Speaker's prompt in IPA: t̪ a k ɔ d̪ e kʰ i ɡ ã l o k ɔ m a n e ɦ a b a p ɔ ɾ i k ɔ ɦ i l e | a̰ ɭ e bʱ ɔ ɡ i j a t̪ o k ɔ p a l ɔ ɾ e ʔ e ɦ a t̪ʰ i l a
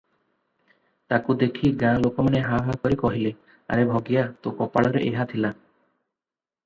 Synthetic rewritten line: t̪ a k u d̪ e kʰ i ɡ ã l o k ɔ m a n e ɦ a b a k ɔ ɾ i k ɔ ɦ i l e | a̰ ɾ e bʱ ɔ ɡ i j a t̪ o k ɔ p a ɭ ɔ ɾ e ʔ e ɦ a t̪ʰ i l a

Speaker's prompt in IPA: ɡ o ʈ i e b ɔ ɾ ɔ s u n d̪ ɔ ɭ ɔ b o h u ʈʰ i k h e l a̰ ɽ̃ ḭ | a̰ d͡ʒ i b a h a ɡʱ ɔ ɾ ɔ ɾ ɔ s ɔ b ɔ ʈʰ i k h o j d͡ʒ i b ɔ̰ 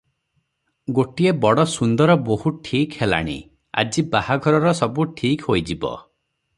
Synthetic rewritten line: ɡ o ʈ i e b ɔ ɽ ɔ s u n d̪ ɔ ɾ ɔ b o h u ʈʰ i k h e l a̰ ɽ̃ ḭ | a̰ d͡ʒ i b a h a ɡʱ ɔ ɾ ɔ ɾ ɔ s ɔ b u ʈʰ i k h o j d͡ʒ i b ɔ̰

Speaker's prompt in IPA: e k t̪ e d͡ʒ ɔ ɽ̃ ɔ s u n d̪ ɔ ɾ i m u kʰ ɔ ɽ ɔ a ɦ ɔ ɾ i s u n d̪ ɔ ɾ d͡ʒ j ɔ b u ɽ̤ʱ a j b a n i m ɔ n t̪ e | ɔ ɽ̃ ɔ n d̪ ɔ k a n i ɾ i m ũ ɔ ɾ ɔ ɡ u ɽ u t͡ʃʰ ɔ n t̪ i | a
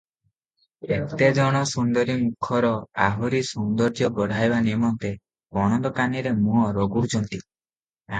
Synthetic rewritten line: e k t̪ e d͡ʒ ɔ ɽ̃ ɔ s u n d̪ ɔ ɾ i m u kʰ ɔ ɾ ɔ a ɦ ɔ ɾ i s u n d̪ ɔ ɾ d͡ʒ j ɔ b ɔ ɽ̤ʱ a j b a n i m ɔ n t̪ e | ɔ ɽ̃ ɔ n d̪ ɔ k a n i ɾ e m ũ ɔ ɾ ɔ ɡ u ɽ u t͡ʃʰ ɔ n t̪ i | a

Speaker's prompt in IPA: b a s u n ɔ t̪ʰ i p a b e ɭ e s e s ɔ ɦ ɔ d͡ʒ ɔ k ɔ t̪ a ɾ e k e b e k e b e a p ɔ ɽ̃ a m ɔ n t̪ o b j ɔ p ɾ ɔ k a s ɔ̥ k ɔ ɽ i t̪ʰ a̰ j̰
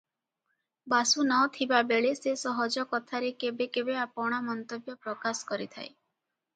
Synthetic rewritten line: b a s u n ɔ t̪ʰ i b a b e ɭ e s e s ɔ ɦ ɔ d͡ʒ ɔ k ɔ t̪ʰ a ɾ e k e b e k e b e a p ɔ ɽ̃ a m ɔ n t̪ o b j ɔ p ɾ ɔ k a s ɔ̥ k ɔ ɾ i t̪ʰ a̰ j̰

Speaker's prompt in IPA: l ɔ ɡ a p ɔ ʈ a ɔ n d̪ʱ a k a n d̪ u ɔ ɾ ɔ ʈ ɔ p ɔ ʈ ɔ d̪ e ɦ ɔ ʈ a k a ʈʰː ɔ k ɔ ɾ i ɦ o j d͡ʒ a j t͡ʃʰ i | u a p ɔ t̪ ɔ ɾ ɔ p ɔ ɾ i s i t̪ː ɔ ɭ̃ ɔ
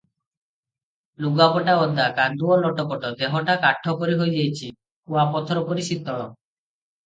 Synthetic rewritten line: l u ɡ a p ɔ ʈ a ɔ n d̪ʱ a k a n d̪ u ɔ l ɔ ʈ ɔ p ɔ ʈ ɔ d̪ e ɦ ɔ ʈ a k a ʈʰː ɔ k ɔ ɾ i ɦ o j d͡ʒ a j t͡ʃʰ i | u a p ɔ t̪ʰ ɔ ɾ ɔ p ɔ ɾ i s i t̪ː ɔ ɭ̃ ɔ

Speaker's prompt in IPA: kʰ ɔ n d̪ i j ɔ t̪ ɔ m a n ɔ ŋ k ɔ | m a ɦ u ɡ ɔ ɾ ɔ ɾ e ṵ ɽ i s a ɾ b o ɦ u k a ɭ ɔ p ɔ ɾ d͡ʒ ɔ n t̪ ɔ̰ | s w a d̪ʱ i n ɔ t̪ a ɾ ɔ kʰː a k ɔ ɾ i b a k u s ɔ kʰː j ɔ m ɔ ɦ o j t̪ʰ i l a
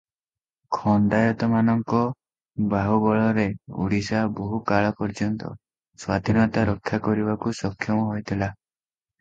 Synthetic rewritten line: kʰ ɔ n d̪ a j ɔ t̪ ɔ m a n ɔ ŋ k ɔ | b a ɦ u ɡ ɔ ɭ ɔ ɾ e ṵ ɽ i s a b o ɦ u k a ɭ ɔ p ɔ ɾ d͡ʒ ɔ n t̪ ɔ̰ | s w a d̪ʱ i n ɔ t̪ a ɾ ɔ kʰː a k ɔ ɾ i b a k u s ɔ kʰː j ɔ m ɔ ɦ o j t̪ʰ i l a

